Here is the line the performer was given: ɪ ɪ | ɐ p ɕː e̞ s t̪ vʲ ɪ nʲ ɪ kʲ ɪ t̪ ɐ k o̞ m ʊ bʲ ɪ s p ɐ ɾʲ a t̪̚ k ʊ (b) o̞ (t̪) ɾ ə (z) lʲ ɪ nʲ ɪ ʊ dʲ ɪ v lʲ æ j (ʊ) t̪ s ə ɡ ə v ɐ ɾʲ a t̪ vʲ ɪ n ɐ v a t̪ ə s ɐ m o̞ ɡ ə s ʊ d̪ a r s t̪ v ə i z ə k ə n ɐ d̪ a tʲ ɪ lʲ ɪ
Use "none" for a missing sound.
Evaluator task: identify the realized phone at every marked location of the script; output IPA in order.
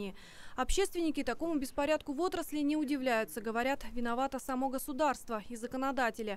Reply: v, t̪, s, ʊ

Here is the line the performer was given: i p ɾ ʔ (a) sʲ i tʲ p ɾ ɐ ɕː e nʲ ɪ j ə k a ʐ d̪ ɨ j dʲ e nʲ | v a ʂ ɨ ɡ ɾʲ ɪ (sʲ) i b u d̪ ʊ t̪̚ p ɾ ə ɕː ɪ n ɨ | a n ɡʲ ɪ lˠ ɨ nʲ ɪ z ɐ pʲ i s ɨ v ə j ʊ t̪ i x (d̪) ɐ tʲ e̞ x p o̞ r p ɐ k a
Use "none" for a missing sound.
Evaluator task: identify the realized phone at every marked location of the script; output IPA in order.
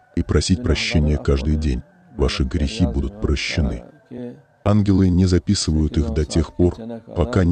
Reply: ɐ, xʲ, d̪

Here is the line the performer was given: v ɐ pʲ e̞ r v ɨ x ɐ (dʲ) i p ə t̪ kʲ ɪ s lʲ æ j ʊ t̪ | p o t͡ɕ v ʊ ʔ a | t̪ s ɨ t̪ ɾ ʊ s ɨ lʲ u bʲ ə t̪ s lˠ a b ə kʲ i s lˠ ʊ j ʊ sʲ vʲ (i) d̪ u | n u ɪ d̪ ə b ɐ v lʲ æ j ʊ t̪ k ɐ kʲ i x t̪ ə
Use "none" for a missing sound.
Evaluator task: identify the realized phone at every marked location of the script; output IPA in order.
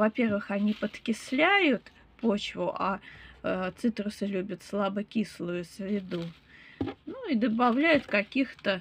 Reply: nʲ, ɪ

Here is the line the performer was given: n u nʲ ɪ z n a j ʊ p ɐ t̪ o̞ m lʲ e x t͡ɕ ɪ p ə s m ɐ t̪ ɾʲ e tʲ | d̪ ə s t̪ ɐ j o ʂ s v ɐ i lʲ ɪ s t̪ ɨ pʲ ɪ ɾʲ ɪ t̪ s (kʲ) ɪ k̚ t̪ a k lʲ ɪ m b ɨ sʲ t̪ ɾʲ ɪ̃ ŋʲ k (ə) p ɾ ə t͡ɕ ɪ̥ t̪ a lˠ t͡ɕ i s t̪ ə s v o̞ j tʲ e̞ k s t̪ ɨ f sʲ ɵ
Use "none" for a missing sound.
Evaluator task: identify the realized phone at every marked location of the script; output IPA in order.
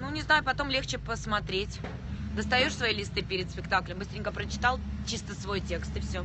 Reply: pʲ, ə

